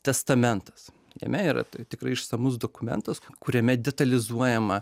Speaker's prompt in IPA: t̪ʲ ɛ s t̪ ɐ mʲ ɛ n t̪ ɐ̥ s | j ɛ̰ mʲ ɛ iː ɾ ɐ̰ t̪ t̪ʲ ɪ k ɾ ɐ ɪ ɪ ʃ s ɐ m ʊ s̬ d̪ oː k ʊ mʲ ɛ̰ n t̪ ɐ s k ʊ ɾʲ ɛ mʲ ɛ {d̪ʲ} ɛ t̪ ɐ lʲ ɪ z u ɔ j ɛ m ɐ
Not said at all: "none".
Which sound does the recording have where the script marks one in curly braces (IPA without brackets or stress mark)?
d̪ʲ